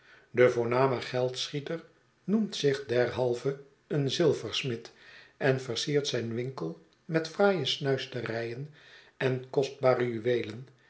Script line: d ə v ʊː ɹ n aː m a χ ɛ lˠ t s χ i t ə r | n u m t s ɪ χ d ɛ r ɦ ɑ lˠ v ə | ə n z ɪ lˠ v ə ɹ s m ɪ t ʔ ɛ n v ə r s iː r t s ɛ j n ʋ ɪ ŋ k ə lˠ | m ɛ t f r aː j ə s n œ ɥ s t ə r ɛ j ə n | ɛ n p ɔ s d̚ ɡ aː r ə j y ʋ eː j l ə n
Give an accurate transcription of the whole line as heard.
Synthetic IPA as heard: d ə v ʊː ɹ n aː m ə χ ɛ lˠ t s χ i t ə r | n u m t s ɪ χ d ɛ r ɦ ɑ lˠ v ə | ə n z ɪ lˠ v ə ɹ s m ɪ t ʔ ɛ n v ə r s iː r t s ɛ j n ʋ ɪ ŋ k ə lˠ | m ɛ t f r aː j ə s n œ ɥ s t ə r ɛ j ə n | ɛ n k ɔ s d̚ b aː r ə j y ʋ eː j l ə n